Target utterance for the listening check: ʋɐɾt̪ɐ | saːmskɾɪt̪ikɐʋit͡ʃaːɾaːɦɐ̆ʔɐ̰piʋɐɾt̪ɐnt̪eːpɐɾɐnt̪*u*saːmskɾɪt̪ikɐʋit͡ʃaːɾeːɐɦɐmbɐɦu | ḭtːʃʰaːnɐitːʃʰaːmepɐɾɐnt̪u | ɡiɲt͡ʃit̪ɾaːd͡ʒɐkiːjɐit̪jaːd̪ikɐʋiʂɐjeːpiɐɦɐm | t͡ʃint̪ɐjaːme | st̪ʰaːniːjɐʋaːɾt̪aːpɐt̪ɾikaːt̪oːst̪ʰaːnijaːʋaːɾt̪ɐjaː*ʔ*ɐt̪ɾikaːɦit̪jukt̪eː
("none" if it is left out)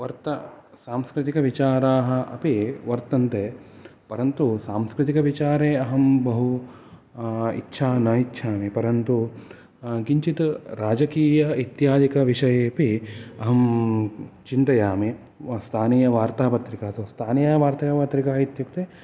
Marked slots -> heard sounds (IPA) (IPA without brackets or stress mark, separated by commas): u, p